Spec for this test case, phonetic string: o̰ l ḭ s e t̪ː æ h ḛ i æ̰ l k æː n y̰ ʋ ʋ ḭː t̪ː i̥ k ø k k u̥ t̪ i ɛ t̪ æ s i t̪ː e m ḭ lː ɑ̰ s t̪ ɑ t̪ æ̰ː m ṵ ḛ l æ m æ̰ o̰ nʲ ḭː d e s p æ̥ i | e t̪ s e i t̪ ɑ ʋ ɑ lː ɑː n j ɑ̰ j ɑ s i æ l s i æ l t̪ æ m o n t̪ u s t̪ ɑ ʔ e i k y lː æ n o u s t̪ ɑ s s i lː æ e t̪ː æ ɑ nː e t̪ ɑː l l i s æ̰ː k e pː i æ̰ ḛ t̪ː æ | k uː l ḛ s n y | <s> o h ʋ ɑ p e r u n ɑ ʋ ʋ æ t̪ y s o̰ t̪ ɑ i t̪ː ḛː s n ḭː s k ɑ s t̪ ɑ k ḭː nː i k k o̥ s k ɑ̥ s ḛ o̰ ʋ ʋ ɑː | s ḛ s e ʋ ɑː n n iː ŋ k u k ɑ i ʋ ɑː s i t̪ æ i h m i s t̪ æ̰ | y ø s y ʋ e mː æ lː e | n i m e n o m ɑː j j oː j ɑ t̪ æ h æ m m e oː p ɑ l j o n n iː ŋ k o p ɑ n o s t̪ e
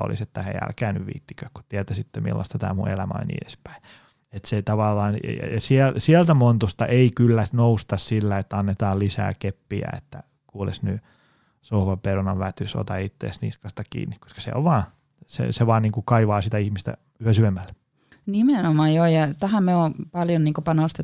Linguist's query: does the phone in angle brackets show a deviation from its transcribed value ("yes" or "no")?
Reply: no